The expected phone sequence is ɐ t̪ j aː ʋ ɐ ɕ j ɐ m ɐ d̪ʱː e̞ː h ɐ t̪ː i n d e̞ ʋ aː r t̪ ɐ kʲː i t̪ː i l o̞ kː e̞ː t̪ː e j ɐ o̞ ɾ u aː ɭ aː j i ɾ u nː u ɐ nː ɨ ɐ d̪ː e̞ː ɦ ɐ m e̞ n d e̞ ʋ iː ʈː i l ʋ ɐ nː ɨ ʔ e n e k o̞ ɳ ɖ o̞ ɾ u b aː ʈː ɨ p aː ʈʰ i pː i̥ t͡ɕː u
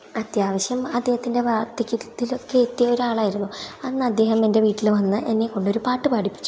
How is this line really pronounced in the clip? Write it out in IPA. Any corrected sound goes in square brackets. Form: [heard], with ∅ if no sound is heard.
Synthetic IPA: ɐ t̪ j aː ʋ ɐ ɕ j ɐ m ɐ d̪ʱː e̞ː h ɐ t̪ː i n d e̞ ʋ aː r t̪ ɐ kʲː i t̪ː i l o̞ kː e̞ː t̪ː [i] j ɐ o̞ ɾ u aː ɭ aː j i ɾ u nː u ɐ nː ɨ ɐ d̪ː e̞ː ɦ ɐ m e̞ n d e̞ ʋ iː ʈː i l ʋ ɐ nː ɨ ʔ e [nː] e k o̞ ɳ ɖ o̞ ɾ u [p] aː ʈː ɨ p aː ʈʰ i pː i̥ t͡ɕː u